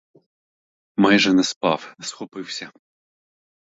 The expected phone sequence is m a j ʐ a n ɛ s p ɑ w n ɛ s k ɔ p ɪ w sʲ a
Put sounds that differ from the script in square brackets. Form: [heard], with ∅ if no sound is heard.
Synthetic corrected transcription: m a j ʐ [ɛ] n ɛ s p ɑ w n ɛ s [x] ɔ p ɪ w sʲ [ɐ]